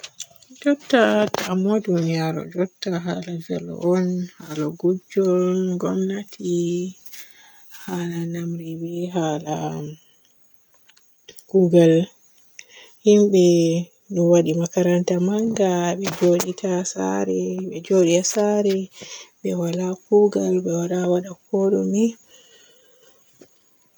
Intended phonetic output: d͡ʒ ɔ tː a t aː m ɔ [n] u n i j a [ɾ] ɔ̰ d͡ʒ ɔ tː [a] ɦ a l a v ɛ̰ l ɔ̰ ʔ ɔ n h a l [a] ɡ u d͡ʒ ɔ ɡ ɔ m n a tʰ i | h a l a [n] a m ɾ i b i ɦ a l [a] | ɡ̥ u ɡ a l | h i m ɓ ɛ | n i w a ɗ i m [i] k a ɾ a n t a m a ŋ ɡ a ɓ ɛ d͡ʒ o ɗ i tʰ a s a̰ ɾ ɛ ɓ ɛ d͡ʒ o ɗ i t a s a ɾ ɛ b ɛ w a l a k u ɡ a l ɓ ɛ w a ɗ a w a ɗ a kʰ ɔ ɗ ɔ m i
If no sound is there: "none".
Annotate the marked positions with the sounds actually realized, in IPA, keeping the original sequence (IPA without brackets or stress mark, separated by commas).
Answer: d, ɾ, a, a, n, a, a